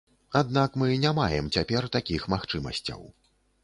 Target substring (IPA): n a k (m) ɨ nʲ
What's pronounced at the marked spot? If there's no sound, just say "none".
m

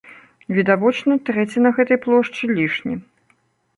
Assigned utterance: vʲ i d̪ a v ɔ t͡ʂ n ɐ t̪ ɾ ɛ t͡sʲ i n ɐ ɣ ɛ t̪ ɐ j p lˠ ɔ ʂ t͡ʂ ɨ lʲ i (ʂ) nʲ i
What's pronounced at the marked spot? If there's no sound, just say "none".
ʂ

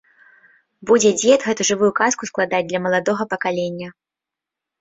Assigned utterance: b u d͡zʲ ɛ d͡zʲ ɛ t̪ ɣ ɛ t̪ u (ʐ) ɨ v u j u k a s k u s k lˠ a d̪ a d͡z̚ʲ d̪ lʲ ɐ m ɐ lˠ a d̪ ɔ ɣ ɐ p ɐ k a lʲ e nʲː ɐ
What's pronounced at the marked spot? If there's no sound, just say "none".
ʐ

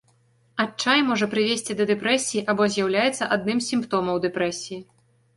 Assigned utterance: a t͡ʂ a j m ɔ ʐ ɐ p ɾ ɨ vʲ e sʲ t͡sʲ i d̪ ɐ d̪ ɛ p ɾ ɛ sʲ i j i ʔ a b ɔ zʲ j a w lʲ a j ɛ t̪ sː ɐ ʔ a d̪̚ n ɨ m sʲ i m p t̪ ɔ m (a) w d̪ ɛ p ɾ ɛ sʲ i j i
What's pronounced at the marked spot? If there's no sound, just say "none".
ɐ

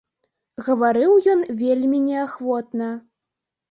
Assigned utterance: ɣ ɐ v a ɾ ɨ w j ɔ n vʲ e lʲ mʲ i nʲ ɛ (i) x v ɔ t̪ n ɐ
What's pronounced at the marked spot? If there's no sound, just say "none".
a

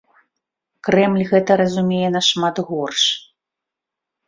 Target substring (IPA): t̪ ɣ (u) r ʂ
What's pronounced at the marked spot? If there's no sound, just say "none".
ɔ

